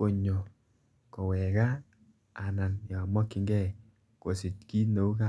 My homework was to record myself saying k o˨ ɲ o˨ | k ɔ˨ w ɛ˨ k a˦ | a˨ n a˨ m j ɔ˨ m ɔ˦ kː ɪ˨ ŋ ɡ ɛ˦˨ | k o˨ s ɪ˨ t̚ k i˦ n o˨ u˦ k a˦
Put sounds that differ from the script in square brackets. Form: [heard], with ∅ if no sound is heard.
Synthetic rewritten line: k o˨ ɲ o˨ | k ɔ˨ w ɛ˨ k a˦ | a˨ n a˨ [n] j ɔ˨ m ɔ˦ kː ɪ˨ ŋ ɡ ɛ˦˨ | k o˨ s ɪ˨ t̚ k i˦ n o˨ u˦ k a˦